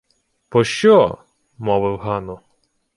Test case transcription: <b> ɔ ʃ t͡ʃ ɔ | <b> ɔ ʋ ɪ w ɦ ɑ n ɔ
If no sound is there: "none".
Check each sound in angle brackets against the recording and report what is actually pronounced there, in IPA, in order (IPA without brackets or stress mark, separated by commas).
p, m